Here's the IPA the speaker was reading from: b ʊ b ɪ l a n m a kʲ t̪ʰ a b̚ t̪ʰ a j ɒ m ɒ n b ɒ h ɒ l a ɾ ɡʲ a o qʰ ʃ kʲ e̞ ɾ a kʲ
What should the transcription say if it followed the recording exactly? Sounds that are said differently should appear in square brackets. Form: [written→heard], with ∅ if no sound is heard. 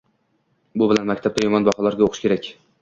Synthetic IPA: b ʊ b ɪ l a n m a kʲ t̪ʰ a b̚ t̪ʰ a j ɒ m ɒ n b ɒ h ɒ l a ɾ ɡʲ a o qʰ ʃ kʲ e̞ ɾ a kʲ